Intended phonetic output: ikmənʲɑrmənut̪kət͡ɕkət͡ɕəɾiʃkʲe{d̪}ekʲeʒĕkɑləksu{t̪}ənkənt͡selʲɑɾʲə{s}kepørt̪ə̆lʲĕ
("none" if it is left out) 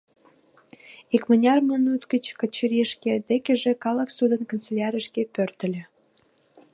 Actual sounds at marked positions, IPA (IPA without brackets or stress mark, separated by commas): d̪, d̪, ʃ